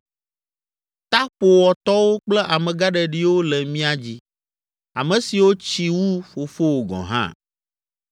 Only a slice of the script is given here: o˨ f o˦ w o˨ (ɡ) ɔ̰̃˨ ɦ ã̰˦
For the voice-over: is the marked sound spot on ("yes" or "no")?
yes